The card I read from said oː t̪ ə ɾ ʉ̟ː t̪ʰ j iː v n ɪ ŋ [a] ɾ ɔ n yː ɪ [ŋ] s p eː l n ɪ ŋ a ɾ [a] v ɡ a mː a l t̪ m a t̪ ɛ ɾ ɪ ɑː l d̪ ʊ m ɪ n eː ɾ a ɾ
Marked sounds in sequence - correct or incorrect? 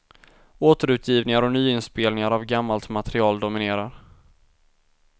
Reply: correct, incorrect: n, correct

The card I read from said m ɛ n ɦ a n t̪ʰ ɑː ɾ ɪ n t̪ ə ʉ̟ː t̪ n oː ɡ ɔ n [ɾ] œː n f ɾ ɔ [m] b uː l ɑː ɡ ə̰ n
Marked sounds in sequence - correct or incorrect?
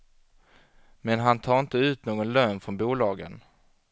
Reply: incorrect: l, incorrect: n

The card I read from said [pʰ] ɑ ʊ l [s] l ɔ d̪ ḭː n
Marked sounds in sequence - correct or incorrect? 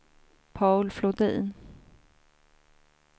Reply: correct, incorrect: f

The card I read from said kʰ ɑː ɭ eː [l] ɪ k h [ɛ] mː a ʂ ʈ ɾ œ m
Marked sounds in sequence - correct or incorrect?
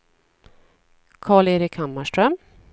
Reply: incorrect: ɾ, incorrect: a

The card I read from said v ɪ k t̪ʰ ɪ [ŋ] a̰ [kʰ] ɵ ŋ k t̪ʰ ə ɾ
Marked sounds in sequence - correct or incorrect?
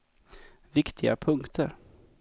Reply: incorrect: ɡ, incorrect: pʰ

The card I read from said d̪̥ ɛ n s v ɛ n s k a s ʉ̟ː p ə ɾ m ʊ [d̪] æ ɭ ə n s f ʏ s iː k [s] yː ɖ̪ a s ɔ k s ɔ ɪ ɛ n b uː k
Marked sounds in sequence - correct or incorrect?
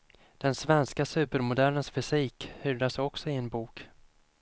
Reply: correct, incorrect: h

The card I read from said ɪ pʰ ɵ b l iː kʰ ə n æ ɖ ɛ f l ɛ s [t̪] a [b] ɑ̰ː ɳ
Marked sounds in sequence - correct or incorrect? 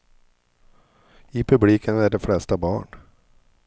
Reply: correct, correct

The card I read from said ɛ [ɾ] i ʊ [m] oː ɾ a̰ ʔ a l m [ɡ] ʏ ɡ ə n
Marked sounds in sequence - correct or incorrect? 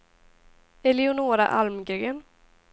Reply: incorrect: l, incorrect: n, correct

